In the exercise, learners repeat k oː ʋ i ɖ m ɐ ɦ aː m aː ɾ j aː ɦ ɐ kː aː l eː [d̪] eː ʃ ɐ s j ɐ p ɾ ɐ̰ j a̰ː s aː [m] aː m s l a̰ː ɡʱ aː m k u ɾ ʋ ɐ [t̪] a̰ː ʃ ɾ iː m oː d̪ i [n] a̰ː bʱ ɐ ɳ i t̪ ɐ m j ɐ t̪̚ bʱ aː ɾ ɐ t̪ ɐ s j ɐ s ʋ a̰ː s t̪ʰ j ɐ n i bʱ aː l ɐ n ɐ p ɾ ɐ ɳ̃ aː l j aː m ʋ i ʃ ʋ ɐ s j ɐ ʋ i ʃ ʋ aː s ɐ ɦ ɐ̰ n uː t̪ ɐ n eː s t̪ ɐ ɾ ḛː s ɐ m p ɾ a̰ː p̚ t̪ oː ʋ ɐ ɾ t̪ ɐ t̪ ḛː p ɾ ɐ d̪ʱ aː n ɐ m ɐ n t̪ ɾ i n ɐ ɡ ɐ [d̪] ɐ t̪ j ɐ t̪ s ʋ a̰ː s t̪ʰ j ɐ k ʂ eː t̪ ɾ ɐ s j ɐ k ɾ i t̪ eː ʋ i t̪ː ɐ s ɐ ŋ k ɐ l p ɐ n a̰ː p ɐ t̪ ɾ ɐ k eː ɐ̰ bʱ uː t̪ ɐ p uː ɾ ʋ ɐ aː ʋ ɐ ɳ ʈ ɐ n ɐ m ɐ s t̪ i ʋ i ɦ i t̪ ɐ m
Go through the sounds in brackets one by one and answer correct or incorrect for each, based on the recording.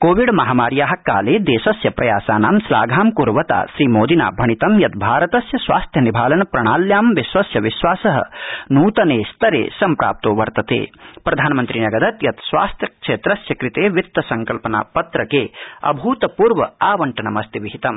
correct, incorrect: n, correct, correct, correct

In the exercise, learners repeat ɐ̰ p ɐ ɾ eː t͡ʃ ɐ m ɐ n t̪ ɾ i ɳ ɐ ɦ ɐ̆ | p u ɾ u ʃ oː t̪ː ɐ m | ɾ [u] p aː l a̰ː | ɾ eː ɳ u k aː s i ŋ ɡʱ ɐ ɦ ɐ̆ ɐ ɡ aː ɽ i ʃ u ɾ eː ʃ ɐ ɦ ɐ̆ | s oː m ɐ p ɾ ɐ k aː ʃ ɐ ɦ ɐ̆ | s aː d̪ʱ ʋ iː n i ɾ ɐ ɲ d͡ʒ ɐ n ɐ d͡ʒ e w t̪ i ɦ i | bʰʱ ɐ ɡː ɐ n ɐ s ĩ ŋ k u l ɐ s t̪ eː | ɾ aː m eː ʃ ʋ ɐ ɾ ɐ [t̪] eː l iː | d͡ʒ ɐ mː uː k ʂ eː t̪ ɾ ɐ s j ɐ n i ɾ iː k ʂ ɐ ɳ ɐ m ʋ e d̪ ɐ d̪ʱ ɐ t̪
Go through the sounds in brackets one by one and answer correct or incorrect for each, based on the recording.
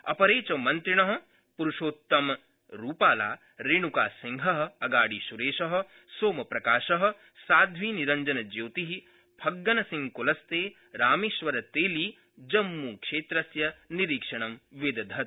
incorrect: uː, correct

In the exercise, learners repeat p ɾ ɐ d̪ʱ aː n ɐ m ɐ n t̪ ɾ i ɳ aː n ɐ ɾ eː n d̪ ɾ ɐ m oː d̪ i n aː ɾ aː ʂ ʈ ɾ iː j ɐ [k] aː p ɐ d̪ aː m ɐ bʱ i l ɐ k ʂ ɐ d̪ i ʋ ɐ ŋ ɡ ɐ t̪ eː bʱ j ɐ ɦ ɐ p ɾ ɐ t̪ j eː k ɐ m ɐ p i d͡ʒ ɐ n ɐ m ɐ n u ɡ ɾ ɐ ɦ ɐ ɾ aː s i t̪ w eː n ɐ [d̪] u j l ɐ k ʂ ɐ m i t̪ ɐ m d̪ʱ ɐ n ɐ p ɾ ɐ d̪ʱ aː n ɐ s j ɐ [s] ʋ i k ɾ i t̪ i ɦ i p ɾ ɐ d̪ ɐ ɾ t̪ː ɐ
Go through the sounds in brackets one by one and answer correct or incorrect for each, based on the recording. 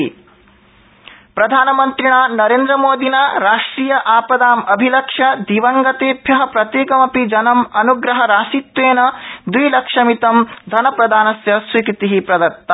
incorrect: ʔ, correct, correct

